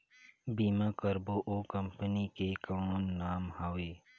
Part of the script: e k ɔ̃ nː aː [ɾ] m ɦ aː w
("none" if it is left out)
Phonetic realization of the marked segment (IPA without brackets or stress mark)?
none